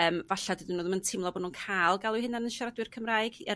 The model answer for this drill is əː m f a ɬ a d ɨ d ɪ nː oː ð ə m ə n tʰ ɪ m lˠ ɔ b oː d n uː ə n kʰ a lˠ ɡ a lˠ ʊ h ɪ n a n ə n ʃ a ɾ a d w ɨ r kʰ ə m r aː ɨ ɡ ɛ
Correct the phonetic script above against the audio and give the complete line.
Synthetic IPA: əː m v a ɬ a d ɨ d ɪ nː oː ð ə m ə n tʰ ɪ m lˠ ɔ b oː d n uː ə n kʰ a lˠ ɡ a lˠ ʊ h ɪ n a n ə n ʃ a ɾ a d w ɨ r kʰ ə m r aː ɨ ɡ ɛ